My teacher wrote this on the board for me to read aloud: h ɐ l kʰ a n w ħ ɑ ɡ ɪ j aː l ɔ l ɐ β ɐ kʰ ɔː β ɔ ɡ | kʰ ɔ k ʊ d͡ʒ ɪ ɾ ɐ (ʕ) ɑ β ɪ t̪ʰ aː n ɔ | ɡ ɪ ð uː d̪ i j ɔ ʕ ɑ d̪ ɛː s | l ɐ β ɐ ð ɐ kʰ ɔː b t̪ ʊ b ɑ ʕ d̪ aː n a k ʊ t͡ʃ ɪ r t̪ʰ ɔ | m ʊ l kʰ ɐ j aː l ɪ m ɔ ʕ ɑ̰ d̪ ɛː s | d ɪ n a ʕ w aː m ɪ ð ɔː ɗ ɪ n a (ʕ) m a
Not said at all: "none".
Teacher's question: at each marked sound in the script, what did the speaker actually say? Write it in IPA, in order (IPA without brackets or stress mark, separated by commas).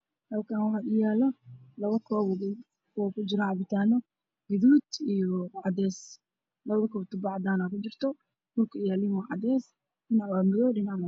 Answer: ʕ, ʕ